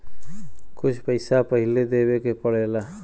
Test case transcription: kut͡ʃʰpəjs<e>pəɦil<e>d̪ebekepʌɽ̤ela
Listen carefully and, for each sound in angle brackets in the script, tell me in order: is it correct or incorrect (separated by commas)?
incorrect, correct